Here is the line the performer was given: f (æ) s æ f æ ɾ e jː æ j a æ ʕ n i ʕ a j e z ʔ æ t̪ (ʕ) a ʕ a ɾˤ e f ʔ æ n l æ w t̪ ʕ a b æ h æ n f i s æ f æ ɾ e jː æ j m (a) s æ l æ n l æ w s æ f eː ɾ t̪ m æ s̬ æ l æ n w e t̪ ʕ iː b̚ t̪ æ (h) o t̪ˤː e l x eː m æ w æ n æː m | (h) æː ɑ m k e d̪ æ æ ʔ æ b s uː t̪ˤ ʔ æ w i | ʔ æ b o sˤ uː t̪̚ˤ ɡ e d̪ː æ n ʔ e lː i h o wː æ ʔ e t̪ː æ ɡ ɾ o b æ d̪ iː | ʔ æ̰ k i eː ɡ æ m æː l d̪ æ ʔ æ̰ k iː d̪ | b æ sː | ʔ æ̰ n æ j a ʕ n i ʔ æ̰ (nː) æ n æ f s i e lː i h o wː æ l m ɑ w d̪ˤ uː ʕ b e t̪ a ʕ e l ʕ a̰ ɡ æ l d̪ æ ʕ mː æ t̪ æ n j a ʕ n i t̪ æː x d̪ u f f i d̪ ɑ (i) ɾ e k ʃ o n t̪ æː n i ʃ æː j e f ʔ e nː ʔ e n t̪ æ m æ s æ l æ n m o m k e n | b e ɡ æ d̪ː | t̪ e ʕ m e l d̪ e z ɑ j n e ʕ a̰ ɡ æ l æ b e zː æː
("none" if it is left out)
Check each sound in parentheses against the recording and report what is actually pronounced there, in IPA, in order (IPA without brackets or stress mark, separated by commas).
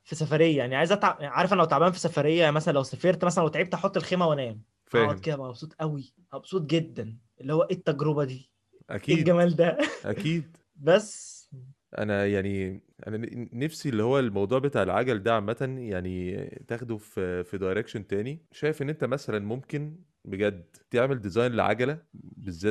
i, ʕ, æ, ħ, f, n, j